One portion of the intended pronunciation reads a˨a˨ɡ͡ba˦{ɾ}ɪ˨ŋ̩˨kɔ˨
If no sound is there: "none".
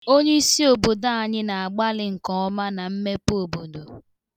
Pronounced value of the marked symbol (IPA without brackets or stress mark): l